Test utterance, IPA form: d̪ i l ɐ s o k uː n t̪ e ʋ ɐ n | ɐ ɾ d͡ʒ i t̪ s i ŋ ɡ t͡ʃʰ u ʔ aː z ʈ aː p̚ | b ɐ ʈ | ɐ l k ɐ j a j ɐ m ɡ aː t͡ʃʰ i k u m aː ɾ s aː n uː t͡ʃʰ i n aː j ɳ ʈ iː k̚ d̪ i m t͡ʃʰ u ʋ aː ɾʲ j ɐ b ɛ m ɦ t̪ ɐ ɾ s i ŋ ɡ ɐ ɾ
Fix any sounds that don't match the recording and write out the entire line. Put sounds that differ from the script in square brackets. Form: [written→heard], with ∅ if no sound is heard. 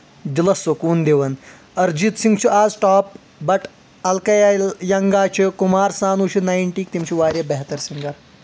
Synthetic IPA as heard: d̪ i l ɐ s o k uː n [t̪→d̪] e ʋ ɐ n | ɐ ɾ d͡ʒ i t̪ s i ŋ ɡ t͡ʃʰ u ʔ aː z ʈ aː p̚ | b ɐ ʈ | ɐ l k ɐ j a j ɐ [m→ŋ] ɡ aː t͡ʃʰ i k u m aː ɾ s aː n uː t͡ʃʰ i n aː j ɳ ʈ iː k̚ [d̪→t̪] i m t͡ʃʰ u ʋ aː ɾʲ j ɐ b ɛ [m→∅] ɦ t̪ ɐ ɾ s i ŋ ɡ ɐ ɾ

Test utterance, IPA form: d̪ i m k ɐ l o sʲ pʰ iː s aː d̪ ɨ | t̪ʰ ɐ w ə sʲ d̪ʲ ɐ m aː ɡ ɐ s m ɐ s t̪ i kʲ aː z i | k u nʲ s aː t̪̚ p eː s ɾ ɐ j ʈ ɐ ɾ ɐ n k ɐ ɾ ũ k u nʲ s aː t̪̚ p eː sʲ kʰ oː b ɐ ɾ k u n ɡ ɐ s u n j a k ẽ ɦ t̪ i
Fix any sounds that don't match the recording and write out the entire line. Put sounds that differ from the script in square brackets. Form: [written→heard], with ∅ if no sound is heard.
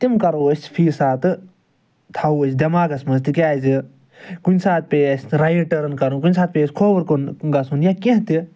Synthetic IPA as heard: [d̪→t̪] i m k ɐ [l→ɾ] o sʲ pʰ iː s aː [d̪→t̪] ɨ | t̪ʰ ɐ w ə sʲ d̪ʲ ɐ m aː ɡ ɐ s m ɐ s t̪ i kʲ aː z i | k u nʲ s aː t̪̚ p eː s ɾ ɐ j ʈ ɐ ɾ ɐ n k ɐ ɾ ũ k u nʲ s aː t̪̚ p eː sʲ kʰ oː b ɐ ɾ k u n ɡ ɐ s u n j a k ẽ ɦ t̪ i

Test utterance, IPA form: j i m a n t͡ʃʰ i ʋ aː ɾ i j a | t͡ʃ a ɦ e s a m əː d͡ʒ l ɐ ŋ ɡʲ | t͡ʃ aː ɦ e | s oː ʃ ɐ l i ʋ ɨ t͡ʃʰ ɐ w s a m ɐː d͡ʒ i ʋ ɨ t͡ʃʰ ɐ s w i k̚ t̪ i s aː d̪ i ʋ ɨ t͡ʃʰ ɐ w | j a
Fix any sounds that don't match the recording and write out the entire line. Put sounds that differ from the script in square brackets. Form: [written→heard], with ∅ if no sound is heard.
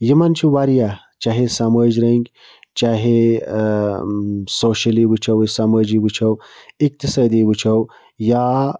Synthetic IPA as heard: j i m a n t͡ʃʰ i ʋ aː ɾ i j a | t͡ʃ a ɦ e s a m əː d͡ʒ [l→ɾ] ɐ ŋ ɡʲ | t͡ʃ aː ɦ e | s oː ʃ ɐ l i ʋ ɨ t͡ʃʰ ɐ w s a m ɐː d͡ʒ i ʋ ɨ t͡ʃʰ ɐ [s→∅] w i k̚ t̪ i s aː d̪ i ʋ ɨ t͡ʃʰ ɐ w | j a

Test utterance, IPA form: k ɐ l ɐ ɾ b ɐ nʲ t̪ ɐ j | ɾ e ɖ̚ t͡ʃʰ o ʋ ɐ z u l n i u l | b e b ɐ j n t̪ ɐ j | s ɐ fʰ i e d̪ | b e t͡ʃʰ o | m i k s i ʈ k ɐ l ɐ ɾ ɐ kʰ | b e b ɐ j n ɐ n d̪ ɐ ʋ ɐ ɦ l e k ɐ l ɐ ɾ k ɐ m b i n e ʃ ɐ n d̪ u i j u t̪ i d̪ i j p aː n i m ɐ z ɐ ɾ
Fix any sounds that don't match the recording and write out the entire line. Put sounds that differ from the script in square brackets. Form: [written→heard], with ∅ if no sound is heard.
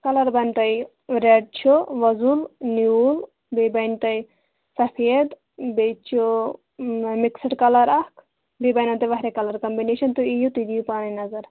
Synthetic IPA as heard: k ɐ l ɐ ɾ b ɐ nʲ t̪ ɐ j | ɾ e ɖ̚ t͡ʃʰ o ʋ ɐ z u l n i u l | b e b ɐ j n t̪ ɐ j | s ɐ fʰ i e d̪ | b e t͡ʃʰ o | m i k s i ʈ k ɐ l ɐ ɾ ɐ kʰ | b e b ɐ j n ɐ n [d̪→t̪] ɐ ʋ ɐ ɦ [l→ɾ] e k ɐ l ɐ ɾ k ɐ m b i n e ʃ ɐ n [d̪→t̪] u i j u t̪ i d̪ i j p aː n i [m→n] ɐ z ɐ ɾ

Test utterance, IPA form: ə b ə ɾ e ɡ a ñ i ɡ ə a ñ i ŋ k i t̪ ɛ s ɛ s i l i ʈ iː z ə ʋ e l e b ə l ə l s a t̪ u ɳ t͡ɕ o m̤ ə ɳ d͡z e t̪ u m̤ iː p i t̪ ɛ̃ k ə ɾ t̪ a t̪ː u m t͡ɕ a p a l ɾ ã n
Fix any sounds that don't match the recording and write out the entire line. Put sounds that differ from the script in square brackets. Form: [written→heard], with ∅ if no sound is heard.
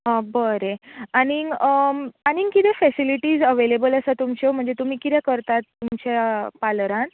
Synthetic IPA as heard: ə b ə ɾ e [ɡ→∅] a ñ i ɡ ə a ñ i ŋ k i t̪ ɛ [s→f] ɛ s i l i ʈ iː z ə ʋ e l e b ə l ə [l→∅] s a t̪ u [ɳ→m] t͡ɕ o m̤ ə ɳ d͡z e t̪ u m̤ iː [p→k] i t̪ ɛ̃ k ə ɾ t̪ a t̪ː u m t͡ɕ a p a l ɾ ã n

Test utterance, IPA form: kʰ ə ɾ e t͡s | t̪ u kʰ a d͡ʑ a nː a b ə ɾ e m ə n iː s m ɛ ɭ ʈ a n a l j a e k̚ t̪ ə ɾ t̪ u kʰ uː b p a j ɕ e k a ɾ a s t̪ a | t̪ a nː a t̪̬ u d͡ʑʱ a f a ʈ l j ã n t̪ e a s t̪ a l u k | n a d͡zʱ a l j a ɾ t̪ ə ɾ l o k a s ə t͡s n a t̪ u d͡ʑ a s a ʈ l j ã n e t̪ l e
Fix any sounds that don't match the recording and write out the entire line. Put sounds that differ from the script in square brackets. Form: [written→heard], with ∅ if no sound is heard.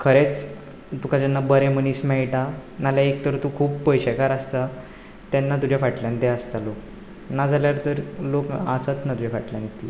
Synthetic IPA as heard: kʰ ə ɾ e t͡s | t̪ u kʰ a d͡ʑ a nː a b ə ɾ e m ə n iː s m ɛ ɭ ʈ a n a l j a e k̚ t̪ ə ɾ t̪ u kʰ uː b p [a→ə] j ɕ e k a ɾ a s t̪ a | t̪ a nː a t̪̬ u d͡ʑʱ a f a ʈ l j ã n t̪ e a s t̪ a l [u→o] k | n a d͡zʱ a l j a ɾ t̪ ə ɾ l o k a s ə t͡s n a t̪ u d͡ʑ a [s→f] a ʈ l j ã n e t̪ l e

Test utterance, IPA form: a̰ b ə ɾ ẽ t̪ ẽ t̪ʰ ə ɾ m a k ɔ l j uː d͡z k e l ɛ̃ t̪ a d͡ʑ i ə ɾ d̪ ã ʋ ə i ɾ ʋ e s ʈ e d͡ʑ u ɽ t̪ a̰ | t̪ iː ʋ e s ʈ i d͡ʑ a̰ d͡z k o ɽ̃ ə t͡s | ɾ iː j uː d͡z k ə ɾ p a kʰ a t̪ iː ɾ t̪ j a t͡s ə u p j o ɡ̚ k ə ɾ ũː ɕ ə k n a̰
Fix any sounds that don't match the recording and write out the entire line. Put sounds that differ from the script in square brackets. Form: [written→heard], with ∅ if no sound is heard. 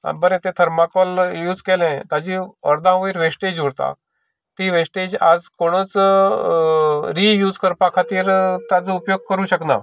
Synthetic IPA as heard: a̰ b ə ɾ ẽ t̪ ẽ t̪ʰ ə ɾ m a k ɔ l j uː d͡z k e l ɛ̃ t̪ a d͡ʑ i ə ɾ d̪ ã ʋ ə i ɾ ʋ e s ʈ e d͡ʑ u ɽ t̪ a̰ | t̪ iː ʋ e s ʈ [i→e] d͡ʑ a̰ d͡z k o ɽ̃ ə t͡s | ɾ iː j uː d͡z k ə ɾ p a kʰ a t̪ iː ɾ t̪ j a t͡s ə u p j o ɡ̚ k ə ɾ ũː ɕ ə k n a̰

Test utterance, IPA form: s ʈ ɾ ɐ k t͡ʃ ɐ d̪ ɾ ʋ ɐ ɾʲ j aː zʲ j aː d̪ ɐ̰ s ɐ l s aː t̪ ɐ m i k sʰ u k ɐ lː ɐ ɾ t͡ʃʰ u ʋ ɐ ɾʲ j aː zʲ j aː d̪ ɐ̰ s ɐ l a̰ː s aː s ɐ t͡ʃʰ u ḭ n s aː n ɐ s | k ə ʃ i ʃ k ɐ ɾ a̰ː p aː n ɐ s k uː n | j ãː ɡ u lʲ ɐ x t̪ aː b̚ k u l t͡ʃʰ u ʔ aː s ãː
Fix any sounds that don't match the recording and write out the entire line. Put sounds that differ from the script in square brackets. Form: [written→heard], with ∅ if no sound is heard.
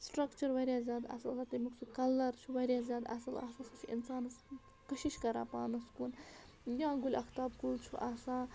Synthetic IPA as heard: s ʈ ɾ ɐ k t͡ʃ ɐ [d̪→∅] ɾ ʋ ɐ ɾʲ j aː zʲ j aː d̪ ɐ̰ s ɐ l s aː t̪ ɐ m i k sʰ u k ɐ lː ɐ ɾ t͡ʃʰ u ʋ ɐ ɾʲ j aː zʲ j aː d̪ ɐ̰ s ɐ l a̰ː s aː s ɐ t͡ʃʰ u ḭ n s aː n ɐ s | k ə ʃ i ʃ k ɐ ɾ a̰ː p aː n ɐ s k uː n | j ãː ɡ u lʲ ɐ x t̪ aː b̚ k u l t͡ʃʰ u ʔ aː s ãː

